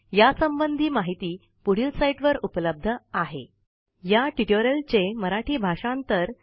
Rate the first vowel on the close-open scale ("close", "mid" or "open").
open